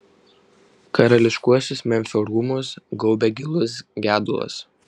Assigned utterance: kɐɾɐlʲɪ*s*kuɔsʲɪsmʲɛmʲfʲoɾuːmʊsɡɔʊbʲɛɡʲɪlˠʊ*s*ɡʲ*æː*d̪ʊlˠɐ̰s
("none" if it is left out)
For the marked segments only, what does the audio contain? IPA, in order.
ʃ, s, æː

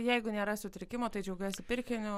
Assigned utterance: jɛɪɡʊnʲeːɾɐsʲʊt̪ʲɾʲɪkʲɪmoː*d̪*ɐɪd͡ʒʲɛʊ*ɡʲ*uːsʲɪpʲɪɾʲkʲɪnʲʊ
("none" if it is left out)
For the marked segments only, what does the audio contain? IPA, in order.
t̪, ɡʲ

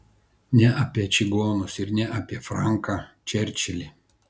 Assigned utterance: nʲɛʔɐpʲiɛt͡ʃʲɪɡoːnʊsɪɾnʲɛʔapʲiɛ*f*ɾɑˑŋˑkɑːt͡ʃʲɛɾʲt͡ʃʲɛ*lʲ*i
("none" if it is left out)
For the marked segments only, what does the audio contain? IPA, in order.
f, lʲ

